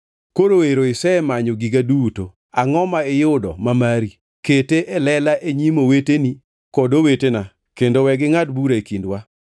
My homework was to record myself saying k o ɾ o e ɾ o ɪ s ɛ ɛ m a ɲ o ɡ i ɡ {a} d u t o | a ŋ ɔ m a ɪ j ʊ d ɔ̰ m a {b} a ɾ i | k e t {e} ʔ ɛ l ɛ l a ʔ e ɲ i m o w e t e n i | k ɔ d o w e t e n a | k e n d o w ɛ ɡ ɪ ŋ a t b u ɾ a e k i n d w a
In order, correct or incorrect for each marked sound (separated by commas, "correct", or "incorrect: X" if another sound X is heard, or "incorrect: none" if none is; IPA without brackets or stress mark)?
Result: correct, incorrect: m, correct